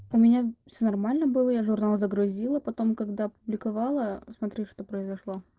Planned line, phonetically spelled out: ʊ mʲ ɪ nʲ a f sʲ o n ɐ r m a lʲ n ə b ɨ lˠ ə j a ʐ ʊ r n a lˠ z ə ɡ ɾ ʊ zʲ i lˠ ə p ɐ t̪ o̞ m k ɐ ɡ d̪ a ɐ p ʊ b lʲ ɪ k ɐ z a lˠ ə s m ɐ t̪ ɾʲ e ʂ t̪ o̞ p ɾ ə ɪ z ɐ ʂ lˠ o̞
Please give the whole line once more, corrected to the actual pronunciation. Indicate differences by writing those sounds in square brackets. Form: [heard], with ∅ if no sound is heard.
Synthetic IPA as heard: ʊ mʲ ɪ nʲ a f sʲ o n ɐ r m a lʲ n ə b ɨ lˠ ə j a ʐ ʊ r n a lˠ z ə ɡ ɾ ʊ zʲ i lˠ ə p ɐ t̪ o̞ m k ɐ ɡ d̪ a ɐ p ʊ b lʲ ɪ k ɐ [v] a lˠ ə s m ɐ t̪ ɾʲ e ʂ t̪ o̞ p ɾ ə ɪ z ɐ ʂ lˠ o̞